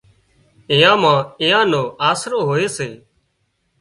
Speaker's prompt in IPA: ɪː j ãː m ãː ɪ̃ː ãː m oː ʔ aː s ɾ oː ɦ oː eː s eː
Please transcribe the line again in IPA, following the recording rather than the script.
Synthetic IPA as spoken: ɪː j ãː m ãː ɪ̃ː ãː n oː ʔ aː s ɾ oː ɦ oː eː s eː